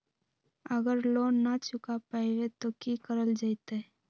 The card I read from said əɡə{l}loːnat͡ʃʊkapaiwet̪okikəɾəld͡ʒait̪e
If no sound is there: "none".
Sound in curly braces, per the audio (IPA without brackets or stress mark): ɾ